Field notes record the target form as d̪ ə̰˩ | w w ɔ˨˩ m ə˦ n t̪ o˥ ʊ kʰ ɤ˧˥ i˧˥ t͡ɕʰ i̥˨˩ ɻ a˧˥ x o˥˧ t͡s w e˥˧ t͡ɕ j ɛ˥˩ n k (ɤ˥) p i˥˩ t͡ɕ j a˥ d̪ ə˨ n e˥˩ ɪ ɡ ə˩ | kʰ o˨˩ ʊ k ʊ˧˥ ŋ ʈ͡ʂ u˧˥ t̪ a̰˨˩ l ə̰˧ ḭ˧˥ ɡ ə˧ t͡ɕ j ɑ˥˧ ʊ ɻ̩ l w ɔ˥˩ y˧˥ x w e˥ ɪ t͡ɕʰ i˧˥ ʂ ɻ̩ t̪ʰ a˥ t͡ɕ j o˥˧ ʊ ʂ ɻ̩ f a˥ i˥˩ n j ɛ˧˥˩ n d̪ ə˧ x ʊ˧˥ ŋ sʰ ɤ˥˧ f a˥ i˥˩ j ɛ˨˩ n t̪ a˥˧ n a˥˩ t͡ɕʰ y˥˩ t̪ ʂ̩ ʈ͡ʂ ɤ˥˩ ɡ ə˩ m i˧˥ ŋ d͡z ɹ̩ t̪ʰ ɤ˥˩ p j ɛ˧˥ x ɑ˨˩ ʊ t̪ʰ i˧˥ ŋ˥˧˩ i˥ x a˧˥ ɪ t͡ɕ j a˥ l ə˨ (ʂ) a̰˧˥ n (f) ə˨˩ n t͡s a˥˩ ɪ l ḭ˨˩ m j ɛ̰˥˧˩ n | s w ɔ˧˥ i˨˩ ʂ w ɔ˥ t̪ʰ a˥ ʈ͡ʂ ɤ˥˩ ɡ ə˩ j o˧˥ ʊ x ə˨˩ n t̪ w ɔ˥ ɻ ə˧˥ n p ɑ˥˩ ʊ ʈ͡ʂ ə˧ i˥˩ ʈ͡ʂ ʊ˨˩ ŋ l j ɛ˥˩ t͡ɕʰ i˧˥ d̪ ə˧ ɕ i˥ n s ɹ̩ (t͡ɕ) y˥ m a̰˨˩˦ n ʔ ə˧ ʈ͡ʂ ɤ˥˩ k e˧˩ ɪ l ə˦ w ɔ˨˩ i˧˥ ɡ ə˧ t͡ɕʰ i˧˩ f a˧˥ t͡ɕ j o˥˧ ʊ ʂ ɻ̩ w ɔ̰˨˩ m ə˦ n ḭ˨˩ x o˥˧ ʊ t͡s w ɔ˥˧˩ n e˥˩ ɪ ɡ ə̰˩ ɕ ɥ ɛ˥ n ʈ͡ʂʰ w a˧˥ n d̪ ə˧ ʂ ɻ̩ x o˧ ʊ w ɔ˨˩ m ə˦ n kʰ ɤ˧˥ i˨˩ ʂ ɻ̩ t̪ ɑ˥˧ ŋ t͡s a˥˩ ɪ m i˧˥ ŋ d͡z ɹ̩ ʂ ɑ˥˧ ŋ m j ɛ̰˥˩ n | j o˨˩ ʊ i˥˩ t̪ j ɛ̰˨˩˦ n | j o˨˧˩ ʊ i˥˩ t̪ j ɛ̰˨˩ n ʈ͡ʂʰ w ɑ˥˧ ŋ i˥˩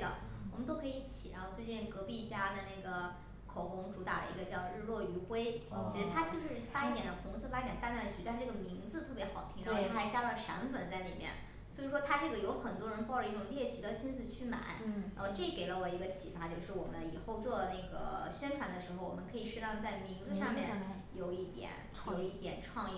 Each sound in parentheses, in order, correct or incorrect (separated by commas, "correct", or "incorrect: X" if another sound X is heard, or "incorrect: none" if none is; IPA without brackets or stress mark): incorrect: ɤ˧˥, correct, correct, incorrect: t͡ɕʰ